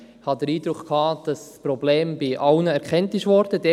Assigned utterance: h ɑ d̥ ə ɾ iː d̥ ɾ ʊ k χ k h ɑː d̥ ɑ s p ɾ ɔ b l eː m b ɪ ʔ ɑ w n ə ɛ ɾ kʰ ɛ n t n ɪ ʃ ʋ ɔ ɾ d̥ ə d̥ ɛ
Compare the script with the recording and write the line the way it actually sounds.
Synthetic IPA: h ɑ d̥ ə ɾ iː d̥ ɾ ʊ k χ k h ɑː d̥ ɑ s p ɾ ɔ b l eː m b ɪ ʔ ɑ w n ə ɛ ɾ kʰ ɛ n t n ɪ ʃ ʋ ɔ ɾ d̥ ə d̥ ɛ

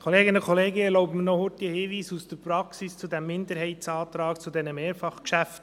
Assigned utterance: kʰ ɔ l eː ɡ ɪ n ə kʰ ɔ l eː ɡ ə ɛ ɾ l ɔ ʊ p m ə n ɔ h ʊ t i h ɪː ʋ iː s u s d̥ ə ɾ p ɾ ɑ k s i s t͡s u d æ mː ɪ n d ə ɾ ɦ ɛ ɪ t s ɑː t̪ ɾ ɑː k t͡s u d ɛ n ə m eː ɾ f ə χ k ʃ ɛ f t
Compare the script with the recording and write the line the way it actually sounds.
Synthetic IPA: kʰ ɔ l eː ɡ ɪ n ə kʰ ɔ l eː ɡ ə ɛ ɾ l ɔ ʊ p m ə n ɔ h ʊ t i h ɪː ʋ iː s u s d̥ ə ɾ p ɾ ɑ k s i s t͡s u d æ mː ɪ n d ə ɾ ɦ ɛ ɪ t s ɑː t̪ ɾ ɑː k t͡s u d ɛ n ə m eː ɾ f ɑ χ k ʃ æ f t

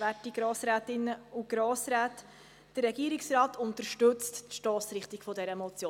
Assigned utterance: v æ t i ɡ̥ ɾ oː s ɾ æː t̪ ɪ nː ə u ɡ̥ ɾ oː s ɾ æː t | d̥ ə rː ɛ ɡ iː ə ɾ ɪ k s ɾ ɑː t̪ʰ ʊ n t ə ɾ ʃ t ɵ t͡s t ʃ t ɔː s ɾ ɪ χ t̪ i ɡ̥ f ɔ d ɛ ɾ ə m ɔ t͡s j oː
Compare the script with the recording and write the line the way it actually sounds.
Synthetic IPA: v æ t i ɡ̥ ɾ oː s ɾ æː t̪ ɪ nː ə u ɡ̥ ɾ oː s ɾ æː t | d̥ ə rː ɛ ɡ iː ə ɾ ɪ k s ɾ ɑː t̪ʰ ʊ n t ə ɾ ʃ t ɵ t͡s t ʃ t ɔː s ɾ ɪ χ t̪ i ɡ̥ f ɔ d ɛ ɾ ə m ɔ t͡s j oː

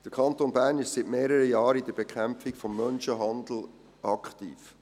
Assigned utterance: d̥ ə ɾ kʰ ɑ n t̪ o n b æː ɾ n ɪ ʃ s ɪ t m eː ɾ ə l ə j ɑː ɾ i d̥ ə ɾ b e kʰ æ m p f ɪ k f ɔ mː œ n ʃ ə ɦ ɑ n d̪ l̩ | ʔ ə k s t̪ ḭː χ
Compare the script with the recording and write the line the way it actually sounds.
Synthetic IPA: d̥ ə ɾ kʰ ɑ n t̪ o n b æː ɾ n ɪ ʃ s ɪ t m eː ɾ ə ɾ ə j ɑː ɾ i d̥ ə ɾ b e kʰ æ m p f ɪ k f ɔ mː œ n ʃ ə ɦ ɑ n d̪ l̩ | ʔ ɑ k χ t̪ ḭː f

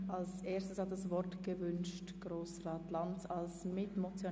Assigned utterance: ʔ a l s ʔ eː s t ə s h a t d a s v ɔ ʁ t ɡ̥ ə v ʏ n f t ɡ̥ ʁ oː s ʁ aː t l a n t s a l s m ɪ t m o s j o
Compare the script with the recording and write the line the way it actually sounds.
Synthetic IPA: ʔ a l s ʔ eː s t ə s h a t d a s v ɔ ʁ t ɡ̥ ə v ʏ n ʃ t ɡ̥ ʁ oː s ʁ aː t l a n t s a l s m ɪ t m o t͡s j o

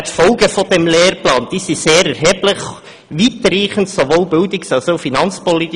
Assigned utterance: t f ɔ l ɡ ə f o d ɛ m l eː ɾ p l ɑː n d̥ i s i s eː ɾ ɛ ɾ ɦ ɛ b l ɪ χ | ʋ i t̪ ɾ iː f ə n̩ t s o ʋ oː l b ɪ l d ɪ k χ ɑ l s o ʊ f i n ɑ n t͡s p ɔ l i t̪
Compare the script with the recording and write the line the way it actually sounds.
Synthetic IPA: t f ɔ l ɡ ə f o d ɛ m l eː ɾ p l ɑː n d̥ i s i s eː ɾ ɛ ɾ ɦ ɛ b l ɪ χ | ʋ i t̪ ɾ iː χ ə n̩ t s o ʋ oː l b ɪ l d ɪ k s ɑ l s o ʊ f i n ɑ n t͡s p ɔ l i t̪

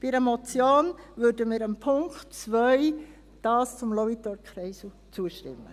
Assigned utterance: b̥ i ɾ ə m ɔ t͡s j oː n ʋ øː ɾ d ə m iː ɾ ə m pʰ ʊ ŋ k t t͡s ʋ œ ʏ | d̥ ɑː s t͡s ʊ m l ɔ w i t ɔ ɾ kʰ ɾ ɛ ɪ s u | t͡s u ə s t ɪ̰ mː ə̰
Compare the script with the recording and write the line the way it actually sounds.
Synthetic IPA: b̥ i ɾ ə m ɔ t͡s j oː n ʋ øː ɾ d ə m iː ɾ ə m pʰ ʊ ŋ k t t͡s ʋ œ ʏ | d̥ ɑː s t͡s ʊ m l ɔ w i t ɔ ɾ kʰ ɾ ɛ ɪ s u | t͡s u ə ʃ t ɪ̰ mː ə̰

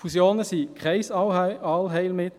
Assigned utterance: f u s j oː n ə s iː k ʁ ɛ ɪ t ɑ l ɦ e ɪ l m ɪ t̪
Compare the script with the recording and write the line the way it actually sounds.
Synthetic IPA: f u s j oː n ə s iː k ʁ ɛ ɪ s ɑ l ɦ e ɪ l m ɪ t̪

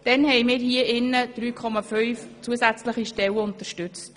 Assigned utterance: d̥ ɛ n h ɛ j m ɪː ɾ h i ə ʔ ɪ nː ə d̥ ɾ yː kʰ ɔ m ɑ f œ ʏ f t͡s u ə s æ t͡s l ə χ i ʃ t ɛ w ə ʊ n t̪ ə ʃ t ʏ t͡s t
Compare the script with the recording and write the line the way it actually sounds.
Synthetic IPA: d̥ ɛ n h ɛ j m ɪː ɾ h i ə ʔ ɪ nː ə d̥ ɾ yː kʰ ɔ m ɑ f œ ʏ f t͡s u ə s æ t͡s l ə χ i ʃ t ɛ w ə ʊ n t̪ ə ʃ t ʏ t͡s t

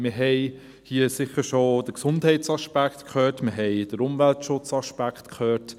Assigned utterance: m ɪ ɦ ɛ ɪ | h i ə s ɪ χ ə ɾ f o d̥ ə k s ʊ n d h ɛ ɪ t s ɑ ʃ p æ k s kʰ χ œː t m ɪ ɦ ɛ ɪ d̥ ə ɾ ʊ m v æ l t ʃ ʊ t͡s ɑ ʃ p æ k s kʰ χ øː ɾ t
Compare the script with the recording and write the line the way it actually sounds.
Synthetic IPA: m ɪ ɦ ɛ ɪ | h i ə s ɪ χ ə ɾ ʃ o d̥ ə k s ʊ n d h ɛ ɪ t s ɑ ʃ p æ k t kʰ χ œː t m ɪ ɦ ɛ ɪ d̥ ə ɾ ʊ m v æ l t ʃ ʊ t͡s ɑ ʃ p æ k t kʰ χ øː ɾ t

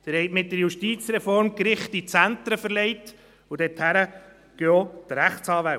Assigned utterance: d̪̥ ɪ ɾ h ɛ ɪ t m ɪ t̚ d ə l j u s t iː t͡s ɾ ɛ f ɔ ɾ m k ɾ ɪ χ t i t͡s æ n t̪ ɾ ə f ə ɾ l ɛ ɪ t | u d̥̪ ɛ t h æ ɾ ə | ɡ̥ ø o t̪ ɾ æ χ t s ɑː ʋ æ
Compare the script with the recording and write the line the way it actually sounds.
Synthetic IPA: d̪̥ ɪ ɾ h ɛ ɪ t m ɪ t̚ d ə ɾ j u ʃ t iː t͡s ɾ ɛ f ɔ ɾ m k ɾ ɪ χ t i t͡s æ n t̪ ɾ ə f ə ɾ l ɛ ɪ t | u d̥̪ ɛ t h æ ɾ ə | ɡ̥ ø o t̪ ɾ æ χ t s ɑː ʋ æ

